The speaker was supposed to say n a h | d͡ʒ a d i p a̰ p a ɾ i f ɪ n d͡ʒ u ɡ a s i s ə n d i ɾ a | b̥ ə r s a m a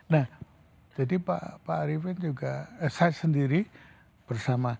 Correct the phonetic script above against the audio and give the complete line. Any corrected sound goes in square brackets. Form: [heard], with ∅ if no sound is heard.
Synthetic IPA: n a h | d͡ʒ a d i p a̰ p a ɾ i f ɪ n d͡ʒ u ɡ a s [a] s ə n d i ɾ [i] | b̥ ə r s a m a